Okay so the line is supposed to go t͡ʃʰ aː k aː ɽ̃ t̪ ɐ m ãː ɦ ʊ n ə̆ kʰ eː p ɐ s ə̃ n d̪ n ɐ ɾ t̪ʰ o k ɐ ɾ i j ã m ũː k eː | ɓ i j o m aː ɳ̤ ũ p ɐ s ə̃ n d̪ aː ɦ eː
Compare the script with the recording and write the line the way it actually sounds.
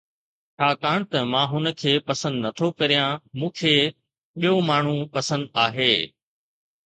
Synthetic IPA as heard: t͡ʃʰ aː k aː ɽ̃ t̪ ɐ m ãː ɦ ʊ n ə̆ kʰ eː p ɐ s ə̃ n d̪ n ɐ t̪ʰ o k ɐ ɾ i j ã m ũː kʰ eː | ɓ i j o m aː ɳ̤ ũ p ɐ s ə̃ n d̪ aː ɦ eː